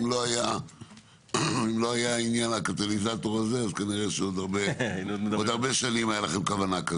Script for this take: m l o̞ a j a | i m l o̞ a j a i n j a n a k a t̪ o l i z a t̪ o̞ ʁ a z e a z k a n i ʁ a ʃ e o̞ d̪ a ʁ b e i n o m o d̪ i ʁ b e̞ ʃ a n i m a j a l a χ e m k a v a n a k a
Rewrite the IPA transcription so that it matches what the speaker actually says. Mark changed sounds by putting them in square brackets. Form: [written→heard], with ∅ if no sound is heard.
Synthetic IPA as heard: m l o̞ a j a | i m l o̞ a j a i n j a n a k a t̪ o l i z a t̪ o̞ ʁ a z e a z k a n i ʁ [a→e] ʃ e o̞ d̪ a ʁ b e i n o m o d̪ [i→a] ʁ b e̞ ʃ a n i m a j a l a χ e m k a v a n a k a